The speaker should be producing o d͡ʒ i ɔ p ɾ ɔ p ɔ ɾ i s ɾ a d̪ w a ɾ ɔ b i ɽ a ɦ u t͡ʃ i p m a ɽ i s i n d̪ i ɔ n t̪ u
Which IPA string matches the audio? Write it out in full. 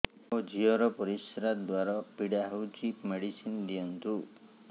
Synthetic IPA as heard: o d͡ʒ i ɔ ɾ ɔ p ɔ ɾ i s ɾ a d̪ w a ɾ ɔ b i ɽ a ɦ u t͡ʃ i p m e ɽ i s i n d̪ i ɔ n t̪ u